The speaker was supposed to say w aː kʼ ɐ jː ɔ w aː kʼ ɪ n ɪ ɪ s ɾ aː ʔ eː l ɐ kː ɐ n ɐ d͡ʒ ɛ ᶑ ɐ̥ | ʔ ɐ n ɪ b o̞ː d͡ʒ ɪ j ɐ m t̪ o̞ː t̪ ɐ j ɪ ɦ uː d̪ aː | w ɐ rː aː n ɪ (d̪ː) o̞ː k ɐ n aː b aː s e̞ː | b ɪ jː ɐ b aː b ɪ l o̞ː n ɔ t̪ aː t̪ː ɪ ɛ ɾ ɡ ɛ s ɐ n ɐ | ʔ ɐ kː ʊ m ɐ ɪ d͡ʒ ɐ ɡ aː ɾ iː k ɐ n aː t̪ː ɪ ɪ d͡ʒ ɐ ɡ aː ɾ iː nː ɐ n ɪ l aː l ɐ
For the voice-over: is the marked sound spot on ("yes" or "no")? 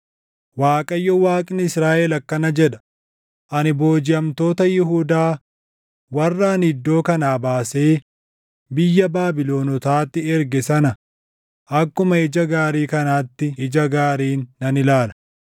yes